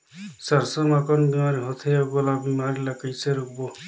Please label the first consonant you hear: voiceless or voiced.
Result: voiceless